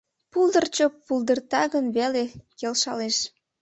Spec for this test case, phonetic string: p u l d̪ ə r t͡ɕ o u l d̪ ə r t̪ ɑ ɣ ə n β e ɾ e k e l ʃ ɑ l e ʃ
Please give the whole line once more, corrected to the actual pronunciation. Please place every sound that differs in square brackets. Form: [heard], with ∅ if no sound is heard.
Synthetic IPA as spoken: p u l d̪ ə r t͡ɕ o u l d̪ ə r t̪ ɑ ɣ ə n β e [l] e k e l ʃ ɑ l e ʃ